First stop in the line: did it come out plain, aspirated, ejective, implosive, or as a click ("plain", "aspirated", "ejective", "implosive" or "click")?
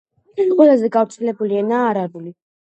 ejective